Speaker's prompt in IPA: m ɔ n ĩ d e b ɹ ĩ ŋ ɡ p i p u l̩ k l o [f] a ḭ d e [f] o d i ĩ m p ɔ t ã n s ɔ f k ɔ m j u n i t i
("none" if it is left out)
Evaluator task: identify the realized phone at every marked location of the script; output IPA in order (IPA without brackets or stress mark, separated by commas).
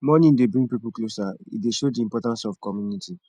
s, ʃ